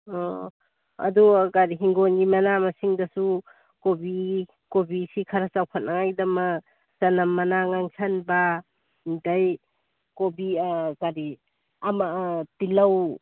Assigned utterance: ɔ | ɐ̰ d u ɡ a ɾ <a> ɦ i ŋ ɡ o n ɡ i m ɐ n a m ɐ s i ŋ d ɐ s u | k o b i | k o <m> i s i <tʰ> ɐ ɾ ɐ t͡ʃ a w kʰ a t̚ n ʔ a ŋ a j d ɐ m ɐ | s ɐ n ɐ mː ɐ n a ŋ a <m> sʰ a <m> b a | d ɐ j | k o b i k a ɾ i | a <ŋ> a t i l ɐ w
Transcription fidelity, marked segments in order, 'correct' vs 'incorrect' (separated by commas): incorrect, incorrect, incorrect, incorrect, incorrect, incorrect